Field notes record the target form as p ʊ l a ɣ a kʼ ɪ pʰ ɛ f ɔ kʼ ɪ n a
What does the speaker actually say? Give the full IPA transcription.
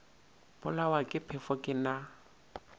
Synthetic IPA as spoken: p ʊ l a w a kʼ ɪ pʰ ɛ f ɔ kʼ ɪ n a

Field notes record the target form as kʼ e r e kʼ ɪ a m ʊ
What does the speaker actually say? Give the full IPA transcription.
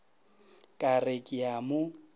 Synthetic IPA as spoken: kʼ a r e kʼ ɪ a m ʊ

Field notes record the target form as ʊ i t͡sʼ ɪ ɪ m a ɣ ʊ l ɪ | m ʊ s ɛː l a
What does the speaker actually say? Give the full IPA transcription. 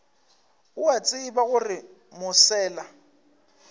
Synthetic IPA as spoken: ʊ a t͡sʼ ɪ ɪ b a ɣ ʊ r ɪ | m ʊ s ɛː l a

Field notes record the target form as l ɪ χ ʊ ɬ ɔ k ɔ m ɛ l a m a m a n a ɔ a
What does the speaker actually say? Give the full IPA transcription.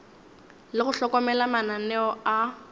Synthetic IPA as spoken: l ɪ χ ʊ ɬ ɔ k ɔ m ɛ l a m a n a n ɛ ɔ a

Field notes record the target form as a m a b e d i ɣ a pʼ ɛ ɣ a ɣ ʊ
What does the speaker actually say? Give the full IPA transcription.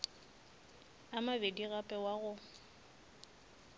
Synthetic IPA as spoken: a m a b e d i ɣ a pʼ ɛ w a ɣ ʊ

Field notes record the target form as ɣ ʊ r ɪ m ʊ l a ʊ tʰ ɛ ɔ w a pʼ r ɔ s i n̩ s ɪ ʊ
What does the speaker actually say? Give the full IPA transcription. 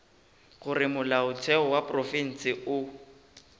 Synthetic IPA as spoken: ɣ ʊ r ɪ m ʊ l a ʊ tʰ ɛ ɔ w a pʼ r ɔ f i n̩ s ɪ ʊ

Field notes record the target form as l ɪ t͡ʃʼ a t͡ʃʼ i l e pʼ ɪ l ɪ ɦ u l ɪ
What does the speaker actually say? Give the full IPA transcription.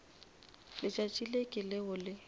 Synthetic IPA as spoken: l ɪ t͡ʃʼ a t͡ʃʼ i l e kʼ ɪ l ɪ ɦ ʊ l ɪ

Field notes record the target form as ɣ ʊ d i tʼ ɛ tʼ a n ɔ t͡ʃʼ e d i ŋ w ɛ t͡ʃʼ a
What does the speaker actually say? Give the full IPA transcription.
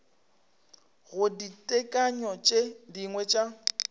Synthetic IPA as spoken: ɣ ʊ d i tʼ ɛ kʼ a ɲ ɔ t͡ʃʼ e d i ŋ w ɛ t͡ʃʼ a

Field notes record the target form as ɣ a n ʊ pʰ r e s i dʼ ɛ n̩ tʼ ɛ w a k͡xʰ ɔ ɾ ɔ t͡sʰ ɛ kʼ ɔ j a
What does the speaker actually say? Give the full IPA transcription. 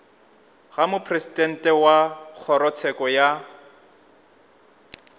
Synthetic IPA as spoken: ɣ a m ʊ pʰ r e s i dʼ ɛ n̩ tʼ ɛ w a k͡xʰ ɔ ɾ ɔ t͡sʰ ɛ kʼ ɔ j a

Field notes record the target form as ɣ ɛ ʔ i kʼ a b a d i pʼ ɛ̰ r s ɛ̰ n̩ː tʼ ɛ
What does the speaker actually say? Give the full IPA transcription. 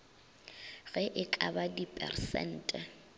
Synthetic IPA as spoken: ɣ ɛ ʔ ɪ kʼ a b a d i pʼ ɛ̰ r s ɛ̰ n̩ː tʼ ɛ

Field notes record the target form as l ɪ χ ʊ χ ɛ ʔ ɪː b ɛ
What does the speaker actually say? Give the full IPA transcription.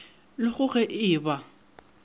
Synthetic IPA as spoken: l ɪ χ ʊ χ ɛ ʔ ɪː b a

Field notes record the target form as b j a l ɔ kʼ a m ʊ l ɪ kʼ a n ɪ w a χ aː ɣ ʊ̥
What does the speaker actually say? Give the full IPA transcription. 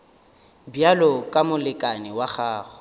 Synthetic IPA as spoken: b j a l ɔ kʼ a m ʊ l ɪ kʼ a n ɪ w a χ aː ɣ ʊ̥

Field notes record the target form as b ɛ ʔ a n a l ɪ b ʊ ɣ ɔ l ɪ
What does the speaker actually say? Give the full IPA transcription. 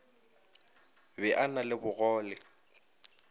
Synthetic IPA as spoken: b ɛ ʔ a n a l ɪ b ʊ ɣ ɔː l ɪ

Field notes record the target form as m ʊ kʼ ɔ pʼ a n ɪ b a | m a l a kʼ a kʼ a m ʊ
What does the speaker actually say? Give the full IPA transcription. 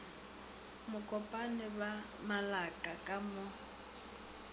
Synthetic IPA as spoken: m ʊ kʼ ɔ pʼ a n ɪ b a | m a l a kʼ a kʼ a m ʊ

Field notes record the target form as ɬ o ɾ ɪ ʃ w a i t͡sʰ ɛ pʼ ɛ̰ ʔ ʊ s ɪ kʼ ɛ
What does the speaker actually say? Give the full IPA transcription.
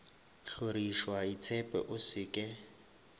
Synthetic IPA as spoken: ɬ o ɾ i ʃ w a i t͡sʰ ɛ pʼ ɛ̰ ʔ ʊ s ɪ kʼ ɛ

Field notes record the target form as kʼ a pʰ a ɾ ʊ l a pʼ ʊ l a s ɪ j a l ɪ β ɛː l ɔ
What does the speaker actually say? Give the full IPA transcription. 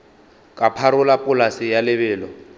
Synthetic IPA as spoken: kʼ a pʰ a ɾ ʊ l a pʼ ʊ l a s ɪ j a l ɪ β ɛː l ɔ

